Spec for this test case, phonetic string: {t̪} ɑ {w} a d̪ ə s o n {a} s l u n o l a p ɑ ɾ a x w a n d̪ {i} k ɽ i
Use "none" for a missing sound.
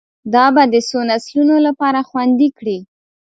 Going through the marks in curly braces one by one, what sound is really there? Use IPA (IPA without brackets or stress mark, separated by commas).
d̪, b, a, i